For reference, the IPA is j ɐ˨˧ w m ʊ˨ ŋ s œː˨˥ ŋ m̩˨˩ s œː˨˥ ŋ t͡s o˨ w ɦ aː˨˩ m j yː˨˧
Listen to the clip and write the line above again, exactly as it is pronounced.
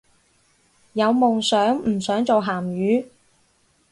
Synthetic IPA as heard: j ɐ˨˧ w m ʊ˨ ŋ s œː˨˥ ŋ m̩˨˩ s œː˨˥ ŋ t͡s o˨ w ɦ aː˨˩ m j yː˨˧